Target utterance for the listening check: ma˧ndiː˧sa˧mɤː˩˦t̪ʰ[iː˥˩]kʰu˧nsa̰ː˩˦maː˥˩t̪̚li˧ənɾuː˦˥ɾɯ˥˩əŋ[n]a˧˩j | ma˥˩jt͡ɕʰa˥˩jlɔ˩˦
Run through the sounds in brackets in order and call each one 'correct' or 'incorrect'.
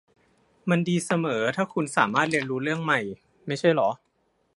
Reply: incorrect, incorrect

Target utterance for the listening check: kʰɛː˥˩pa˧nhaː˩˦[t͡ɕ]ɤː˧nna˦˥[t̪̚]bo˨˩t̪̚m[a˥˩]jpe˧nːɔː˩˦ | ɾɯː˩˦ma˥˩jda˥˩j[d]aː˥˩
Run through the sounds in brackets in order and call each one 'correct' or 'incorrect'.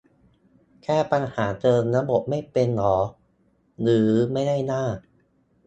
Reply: correct, incorrect, correct, incorrect

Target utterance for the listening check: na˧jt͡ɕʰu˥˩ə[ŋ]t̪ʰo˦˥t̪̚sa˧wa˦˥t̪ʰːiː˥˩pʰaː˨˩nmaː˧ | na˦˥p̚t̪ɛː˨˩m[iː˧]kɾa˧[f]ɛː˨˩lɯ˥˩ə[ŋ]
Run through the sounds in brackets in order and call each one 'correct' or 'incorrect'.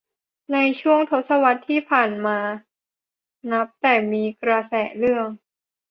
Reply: correct, correct, incorrect, correct

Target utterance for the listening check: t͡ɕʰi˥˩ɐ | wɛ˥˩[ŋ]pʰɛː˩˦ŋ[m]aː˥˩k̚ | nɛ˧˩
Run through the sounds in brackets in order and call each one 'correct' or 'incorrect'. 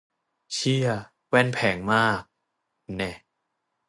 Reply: incorrect, correct

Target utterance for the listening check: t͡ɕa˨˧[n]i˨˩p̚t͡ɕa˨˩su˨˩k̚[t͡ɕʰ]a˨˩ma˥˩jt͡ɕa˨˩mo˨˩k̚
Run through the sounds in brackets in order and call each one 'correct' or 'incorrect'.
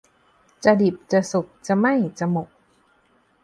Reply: incorrect, incorrect

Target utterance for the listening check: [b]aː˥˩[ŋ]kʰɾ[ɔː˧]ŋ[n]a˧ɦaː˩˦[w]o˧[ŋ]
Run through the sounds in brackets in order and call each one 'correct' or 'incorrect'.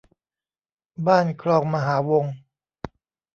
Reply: correct, incorrect, correct, incorrect, correct, correct

